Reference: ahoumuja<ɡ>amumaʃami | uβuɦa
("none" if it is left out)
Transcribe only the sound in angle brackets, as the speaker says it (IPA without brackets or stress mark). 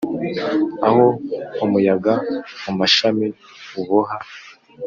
ɡ